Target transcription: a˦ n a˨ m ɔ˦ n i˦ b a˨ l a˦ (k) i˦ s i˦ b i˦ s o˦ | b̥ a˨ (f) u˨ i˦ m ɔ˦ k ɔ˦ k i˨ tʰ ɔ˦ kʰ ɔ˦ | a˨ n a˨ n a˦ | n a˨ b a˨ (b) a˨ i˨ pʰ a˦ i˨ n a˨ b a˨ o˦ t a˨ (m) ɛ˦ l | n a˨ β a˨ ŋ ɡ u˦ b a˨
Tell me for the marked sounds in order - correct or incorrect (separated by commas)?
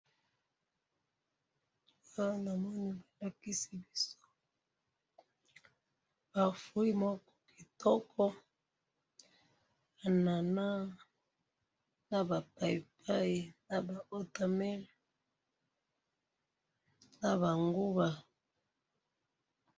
correct, correct, incorrect, correct